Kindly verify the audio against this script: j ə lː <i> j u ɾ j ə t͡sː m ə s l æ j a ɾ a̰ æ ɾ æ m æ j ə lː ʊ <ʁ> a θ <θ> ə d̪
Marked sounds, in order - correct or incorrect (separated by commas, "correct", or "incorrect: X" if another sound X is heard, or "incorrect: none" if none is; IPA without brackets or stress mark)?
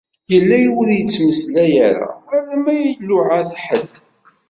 incorrect: æ, incorrect: ʕ, incorrect: ħ